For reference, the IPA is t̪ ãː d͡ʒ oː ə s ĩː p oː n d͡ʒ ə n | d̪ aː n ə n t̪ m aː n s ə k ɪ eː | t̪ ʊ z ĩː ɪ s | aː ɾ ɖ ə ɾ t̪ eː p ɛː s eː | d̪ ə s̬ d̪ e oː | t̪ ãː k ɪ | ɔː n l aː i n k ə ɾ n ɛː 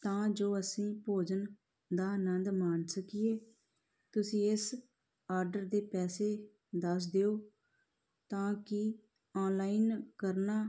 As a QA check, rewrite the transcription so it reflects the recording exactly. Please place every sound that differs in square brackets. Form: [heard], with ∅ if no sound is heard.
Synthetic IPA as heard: t̪ ãː d͡ʒ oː ə s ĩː p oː [∅] d͡ʒ ə n | d̪ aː n ə n [d̪] m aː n s ə k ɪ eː | t̪ ʊ [s] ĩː ɪ s | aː ɾ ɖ ə ɾ [d̪] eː p ɛː s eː | d̪ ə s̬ d̪ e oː | t̪ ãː k ɪ | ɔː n l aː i n k ə ɾ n [aː]